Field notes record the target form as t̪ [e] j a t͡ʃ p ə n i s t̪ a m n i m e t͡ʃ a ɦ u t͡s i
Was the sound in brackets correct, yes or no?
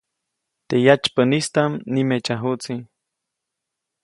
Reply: yes